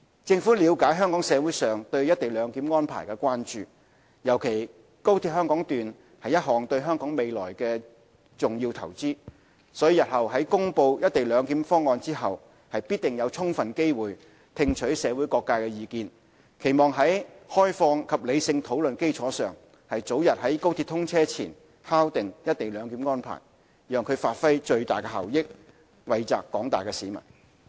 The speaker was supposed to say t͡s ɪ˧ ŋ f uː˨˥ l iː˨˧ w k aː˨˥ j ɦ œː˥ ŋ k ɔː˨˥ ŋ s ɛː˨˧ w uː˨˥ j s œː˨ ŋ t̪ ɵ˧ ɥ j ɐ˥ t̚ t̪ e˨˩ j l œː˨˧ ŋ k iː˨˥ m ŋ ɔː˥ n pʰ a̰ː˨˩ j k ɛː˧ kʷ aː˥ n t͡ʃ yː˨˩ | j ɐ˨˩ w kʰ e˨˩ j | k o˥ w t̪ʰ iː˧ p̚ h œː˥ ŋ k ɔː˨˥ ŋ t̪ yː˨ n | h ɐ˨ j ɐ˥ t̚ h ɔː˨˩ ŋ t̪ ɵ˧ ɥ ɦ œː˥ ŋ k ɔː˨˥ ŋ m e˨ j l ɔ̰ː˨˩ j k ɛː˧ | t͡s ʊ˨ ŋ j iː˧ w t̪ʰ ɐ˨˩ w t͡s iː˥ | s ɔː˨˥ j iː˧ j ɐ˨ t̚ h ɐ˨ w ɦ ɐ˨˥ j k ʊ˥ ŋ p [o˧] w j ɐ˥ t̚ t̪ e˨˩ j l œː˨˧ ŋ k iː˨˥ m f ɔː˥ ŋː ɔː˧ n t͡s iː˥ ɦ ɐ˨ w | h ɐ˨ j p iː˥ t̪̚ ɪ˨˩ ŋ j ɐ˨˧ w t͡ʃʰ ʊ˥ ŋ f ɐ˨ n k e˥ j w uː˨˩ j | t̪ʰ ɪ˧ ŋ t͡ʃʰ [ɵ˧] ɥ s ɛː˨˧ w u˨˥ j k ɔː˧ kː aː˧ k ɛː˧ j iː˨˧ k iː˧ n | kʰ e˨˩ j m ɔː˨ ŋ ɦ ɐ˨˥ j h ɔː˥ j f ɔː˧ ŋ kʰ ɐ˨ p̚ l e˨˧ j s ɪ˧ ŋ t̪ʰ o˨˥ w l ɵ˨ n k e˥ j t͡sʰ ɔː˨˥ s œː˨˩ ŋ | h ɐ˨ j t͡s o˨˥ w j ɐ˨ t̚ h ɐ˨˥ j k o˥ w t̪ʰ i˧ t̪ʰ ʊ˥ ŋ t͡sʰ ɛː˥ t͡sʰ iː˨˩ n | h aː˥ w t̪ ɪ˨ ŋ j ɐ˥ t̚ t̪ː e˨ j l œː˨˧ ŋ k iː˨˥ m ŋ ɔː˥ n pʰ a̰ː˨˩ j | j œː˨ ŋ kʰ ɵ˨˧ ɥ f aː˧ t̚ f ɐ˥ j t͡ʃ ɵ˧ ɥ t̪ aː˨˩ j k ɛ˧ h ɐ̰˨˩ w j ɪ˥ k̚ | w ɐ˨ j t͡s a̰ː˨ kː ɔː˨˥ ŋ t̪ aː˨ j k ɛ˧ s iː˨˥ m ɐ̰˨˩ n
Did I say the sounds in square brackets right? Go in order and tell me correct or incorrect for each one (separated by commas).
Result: correct, incorrect